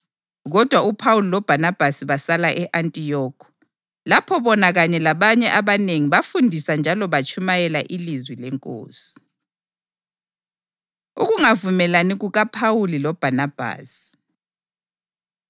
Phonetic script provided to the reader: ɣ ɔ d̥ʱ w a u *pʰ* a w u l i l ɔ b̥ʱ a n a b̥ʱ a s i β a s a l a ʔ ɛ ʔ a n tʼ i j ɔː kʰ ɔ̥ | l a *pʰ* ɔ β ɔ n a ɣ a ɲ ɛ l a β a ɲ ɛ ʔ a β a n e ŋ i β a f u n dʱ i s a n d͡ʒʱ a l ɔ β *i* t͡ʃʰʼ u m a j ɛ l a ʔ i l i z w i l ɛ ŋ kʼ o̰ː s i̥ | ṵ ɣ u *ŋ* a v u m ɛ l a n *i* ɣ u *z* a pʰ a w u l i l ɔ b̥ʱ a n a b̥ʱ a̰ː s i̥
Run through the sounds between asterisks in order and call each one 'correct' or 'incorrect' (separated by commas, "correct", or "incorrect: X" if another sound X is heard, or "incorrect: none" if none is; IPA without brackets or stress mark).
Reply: correct, correct, incorrect: a, correct, correct, incorrect: ɣ